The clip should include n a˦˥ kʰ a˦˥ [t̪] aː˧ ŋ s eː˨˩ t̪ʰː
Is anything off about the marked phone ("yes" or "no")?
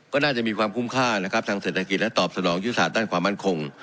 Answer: yes